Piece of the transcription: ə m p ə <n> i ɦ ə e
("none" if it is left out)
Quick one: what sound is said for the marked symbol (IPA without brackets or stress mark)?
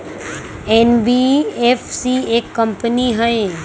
n